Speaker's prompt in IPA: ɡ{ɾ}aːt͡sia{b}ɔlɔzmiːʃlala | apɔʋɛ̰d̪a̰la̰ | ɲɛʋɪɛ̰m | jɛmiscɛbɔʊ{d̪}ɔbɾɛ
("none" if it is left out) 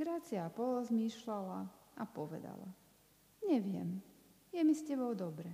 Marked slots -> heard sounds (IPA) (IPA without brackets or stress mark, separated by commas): ɾ, p, d̪